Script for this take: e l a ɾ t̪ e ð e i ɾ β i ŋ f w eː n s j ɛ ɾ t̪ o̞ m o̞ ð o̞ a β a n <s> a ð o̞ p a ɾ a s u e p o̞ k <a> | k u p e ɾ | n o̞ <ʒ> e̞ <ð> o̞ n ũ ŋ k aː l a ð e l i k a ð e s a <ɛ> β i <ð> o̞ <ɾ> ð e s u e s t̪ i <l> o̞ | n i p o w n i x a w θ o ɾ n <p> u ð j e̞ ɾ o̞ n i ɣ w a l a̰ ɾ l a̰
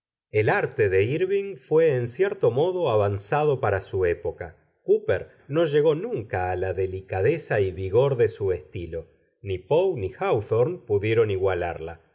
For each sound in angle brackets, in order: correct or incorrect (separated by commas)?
correct, correct, correct, incorrect, incorrect, incorrect, correct, correct, correct